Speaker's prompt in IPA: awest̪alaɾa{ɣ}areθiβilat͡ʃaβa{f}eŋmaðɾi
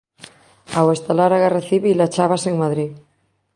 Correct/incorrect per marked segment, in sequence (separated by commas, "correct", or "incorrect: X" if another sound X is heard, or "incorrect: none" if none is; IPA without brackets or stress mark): correct, incorrect: s